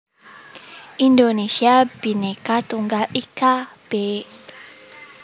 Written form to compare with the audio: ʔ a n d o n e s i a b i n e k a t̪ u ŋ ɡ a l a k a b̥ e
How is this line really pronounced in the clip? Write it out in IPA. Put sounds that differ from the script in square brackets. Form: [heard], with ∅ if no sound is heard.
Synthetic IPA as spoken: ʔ [i] n d o n e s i a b i n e k a t̪ u ŋ ɡ a l [i] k a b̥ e